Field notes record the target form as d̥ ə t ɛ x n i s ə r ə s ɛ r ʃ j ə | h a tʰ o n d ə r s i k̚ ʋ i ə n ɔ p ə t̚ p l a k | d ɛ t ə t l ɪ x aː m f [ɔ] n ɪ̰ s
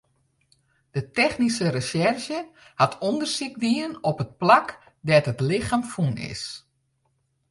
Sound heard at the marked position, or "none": u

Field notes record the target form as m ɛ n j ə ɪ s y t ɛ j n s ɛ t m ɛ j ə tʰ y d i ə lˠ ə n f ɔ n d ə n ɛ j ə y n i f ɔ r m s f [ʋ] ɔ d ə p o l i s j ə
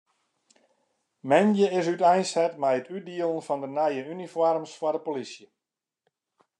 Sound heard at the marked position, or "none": w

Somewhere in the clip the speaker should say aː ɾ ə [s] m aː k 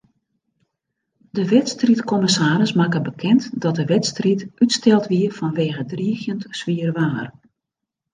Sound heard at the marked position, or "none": s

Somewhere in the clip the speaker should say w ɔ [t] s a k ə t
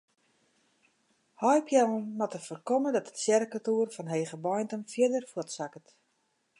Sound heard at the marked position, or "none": t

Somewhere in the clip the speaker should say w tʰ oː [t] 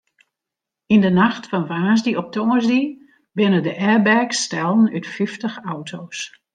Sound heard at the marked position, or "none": s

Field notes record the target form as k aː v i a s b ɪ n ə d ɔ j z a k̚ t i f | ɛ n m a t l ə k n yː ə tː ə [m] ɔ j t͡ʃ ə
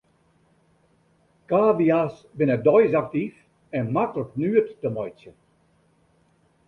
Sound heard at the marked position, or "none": m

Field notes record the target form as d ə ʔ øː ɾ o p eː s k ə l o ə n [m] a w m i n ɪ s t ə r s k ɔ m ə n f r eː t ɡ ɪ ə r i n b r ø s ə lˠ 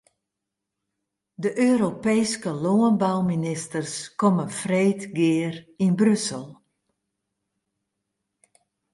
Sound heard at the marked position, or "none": b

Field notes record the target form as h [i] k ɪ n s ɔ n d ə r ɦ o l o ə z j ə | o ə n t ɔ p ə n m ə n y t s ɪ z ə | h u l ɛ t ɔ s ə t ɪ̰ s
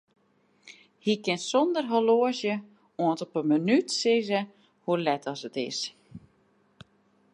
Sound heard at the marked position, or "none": i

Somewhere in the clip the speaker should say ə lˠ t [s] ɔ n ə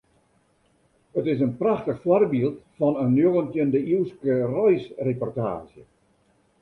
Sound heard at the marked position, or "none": f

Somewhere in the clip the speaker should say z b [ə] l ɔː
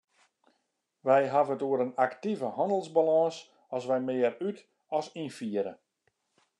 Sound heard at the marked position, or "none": a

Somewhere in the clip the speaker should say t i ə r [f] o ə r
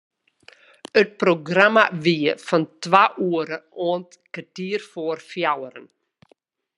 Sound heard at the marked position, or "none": f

